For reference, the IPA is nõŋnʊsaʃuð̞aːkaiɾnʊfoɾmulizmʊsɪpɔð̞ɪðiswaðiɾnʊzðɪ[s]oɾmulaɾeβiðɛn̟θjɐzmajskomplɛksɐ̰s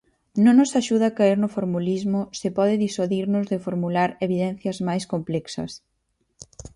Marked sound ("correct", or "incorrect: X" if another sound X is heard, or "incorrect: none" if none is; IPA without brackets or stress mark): incorrect: f